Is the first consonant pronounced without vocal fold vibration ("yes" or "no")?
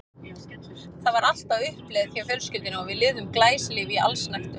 yes